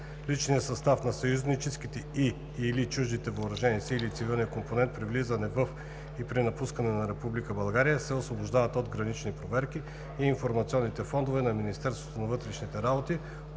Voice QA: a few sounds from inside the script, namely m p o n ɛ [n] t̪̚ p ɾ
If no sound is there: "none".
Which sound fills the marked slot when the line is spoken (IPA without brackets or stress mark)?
n